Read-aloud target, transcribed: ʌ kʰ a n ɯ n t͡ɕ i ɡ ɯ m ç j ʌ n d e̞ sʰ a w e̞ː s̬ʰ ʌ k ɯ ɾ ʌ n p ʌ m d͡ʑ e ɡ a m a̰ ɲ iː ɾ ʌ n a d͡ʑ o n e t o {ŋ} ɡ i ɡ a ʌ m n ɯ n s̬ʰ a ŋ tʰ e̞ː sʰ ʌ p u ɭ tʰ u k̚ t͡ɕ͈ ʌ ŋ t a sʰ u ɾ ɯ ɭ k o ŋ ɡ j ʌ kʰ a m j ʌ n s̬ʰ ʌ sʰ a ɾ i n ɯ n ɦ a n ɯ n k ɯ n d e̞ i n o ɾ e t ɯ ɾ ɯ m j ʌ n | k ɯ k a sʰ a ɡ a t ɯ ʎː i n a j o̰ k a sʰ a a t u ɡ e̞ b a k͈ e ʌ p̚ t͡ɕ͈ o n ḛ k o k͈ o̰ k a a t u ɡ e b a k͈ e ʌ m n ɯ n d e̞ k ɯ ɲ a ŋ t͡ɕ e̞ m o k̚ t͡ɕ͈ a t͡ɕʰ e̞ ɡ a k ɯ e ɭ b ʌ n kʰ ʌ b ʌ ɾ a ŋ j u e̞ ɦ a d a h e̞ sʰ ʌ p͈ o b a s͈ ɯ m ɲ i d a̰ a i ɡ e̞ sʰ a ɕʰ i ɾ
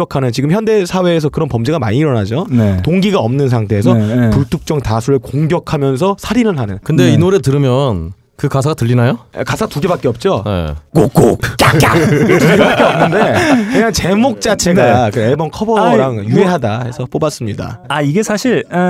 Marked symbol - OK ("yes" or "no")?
yes